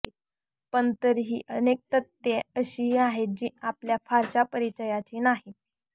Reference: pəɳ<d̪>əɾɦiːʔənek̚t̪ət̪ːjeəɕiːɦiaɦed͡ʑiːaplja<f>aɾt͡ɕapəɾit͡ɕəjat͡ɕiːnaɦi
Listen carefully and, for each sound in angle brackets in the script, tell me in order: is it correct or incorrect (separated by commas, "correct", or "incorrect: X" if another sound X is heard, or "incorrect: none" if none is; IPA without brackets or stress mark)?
incorrect: t̪, correct